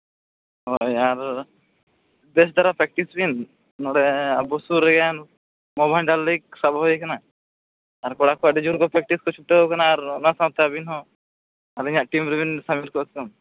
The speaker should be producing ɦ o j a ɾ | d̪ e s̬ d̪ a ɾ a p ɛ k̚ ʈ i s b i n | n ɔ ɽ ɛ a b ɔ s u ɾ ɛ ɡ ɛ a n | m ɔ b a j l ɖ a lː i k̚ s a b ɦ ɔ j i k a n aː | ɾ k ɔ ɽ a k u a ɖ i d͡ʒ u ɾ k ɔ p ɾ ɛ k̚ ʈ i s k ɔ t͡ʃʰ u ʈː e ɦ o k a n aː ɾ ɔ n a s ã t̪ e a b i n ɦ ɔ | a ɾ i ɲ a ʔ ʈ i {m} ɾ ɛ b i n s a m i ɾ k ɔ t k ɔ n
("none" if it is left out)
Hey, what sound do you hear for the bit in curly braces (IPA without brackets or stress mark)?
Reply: m